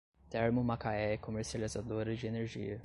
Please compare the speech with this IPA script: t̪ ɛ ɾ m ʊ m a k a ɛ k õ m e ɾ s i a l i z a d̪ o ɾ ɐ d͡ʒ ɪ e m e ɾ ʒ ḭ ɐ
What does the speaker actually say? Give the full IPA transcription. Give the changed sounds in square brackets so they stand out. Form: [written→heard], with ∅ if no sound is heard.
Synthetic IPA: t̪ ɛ ɾ m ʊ m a k a ɛ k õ m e ɾ s i a l i z a d̪ o ɾ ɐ d͡ʒ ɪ e [m→n] e ɾ ʒ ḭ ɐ